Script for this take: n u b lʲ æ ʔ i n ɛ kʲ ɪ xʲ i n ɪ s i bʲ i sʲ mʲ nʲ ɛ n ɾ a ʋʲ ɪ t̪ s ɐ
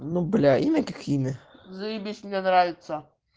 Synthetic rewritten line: n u b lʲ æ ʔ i n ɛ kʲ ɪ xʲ i n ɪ z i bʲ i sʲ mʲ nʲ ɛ n ɾ a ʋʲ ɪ t̪ s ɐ